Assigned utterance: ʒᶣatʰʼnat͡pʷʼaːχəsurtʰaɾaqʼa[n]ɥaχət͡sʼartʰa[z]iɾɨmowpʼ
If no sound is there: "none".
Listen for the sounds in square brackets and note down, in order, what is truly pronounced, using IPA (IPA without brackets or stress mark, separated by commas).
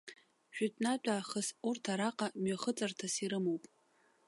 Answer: m, s